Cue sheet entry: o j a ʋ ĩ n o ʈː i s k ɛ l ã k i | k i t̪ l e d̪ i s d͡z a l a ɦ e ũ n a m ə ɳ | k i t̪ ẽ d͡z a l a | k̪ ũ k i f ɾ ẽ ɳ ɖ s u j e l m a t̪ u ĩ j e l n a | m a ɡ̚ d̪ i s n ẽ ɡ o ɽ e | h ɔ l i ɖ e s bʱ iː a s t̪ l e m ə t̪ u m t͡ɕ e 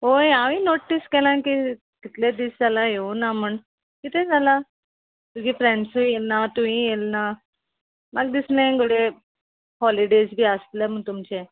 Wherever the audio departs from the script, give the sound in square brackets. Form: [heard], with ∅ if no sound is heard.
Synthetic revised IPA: o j a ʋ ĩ n o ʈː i s k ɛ l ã k i | k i t̪ l e d̪ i s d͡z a l a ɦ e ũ n a m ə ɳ | k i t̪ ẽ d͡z a l a | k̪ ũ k i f ɾ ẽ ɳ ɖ s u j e l [n] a t̪ u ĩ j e l n a | m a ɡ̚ d̪ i s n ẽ ɡ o ɽ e | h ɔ l i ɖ e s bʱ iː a s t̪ l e m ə t̪ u m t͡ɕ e